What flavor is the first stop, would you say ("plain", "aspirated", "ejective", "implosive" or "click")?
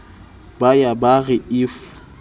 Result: plain